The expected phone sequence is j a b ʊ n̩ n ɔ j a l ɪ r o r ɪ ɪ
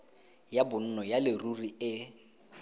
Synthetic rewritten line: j a b ʊ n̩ n ɔ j a l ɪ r u r i ɪ